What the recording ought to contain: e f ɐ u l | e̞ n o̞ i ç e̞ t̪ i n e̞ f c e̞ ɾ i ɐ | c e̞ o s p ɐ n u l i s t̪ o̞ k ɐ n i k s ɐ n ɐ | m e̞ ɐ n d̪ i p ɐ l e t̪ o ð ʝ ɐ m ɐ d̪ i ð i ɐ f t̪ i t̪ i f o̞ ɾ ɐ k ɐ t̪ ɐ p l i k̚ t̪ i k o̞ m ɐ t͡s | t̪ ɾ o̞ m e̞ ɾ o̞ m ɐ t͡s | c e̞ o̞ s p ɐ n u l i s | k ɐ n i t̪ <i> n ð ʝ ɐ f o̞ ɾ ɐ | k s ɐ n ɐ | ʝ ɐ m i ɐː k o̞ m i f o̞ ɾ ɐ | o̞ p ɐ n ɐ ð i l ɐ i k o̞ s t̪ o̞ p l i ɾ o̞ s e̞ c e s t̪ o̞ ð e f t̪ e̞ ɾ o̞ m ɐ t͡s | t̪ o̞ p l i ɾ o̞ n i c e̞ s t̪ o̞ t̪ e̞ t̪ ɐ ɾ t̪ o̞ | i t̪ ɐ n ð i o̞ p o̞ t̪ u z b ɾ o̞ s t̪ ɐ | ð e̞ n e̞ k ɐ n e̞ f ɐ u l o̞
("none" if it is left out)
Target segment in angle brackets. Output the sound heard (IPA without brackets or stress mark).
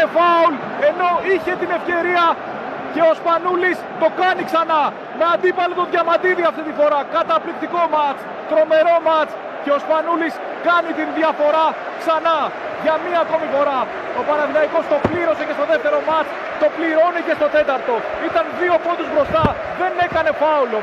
i